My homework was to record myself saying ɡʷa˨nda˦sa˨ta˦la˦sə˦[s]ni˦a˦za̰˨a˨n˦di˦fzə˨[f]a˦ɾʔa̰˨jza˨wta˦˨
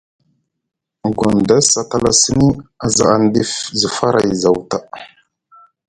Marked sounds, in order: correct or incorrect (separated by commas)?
incorrect, correct